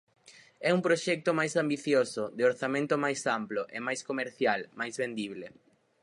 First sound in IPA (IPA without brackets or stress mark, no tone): ɛ